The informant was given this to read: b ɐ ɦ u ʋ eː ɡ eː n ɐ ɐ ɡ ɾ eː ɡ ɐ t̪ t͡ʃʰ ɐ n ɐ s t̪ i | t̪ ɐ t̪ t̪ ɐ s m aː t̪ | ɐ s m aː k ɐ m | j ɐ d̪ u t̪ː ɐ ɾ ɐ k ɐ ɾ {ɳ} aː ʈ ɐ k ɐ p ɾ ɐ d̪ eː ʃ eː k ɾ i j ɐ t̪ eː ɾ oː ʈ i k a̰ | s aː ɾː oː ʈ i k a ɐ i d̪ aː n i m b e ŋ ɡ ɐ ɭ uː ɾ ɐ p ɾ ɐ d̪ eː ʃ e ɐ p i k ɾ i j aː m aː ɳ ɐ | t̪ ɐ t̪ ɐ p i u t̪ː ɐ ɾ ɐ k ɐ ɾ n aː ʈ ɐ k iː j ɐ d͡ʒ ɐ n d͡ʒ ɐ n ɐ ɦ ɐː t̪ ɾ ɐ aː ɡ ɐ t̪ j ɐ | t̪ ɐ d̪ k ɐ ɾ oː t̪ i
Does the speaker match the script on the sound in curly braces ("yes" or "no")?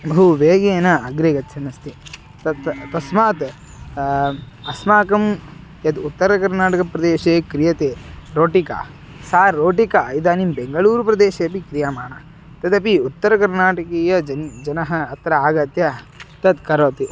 no